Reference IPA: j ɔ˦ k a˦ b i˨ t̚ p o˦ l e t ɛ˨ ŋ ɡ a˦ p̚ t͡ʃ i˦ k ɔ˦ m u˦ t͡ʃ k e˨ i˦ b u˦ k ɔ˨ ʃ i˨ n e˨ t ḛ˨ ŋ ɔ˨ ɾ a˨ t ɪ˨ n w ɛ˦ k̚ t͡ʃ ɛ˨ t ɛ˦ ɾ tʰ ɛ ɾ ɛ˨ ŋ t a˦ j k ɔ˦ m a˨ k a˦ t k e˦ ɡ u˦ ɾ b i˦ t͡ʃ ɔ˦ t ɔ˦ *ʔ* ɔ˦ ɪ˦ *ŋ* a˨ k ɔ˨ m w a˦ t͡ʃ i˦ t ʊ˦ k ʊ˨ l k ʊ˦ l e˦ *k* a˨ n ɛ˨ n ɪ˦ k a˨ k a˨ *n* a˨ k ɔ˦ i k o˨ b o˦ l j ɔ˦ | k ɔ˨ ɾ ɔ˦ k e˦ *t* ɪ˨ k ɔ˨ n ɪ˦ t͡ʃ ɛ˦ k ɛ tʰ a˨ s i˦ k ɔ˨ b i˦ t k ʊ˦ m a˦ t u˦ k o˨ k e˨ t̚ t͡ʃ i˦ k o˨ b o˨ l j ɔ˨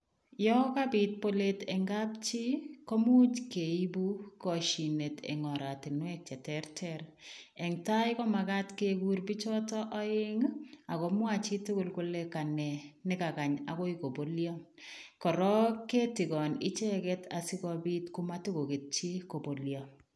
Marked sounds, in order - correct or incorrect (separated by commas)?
correct, correct, correct, incorrect, correct